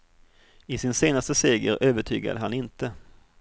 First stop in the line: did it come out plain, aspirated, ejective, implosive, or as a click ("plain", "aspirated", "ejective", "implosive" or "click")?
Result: plain